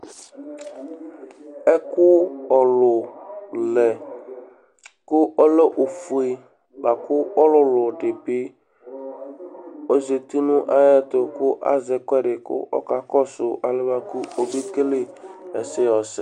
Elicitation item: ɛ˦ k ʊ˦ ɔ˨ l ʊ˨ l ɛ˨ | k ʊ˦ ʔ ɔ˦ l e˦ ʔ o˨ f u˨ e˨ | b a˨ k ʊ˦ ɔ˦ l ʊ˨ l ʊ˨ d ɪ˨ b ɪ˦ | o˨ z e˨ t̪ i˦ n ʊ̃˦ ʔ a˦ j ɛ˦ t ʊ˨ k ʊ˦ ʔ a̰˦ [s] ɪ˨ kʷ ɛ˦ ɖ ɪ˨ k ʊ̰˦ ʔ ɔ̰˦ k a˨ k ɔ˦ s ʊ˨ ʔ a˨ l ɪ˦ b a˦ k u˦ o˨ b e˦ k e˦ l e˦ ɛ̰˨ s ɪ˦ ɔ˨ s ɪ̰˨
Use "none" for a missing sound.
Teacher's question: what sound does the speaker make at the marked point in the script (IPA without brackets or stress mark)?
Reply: z